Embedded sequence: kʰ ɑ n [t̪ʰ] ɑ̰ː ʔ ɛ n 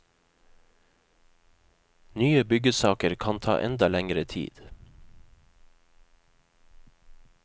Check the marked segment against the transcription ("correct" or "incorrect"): correct